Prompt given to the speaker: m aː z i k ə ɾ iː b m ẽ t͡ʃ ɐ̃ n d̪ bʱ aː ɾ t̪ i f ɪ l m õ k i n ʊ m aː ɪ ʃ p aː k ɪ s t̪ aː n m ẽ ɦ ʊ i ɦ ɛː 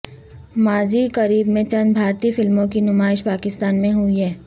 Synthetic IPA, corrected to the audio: m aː z i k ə ɾ iː b m ẽ t͡ʃ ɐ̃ n d̪ bʱ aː ɾ t̪ i f ɪ l m õ k i n ʊ m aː ɪ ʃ p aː k ɪ s t̪ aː n m ẽ ɦ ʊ i ɦ ɛː